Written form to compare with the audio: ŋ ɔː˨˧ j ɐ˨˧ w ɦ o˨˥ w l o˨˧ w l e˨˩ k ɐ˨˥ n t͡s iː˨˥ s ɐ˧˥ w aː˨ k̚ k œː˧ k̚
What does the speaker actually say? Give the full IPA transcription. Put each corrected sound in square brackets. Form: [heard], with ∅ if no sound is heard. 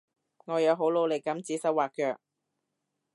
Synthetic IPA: ŋ ɔː˨˧ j ɐ˨˧ w ɦ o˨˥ w l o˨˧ w l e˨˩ k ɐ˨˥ [m] t͡s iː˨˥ s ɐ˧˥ w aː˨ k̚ k œː˧ k̚